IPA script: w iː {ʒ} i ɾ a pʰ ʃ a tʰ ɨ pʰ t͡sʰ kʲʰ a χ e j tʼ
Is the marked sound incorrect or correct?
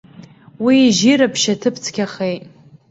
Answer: correct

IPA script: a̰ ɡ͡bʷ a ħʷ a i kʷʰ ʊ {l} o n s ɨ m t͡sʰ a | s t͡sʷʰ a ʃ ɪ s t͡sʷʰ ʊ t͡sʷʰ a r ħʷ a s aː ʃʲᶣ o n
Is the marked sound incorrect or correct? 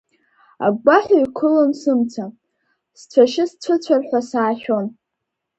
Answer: correct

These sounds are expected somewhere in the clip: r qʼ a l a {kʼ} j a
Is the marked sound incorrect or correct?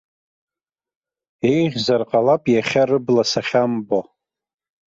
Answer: incorrect: pʼ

